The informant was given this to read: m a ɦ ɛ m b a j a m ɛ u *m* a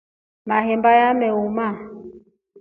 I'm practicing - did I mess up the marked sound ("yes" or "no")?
no